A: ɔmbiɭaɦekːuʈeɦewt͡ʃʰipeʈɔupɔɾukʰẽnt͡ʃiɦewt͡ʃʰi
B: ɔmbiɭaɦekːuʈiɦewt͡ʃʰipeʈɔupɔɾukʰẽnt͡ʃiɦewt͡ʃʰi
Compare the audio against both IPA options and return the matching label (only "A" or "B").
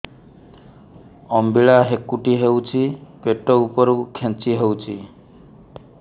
B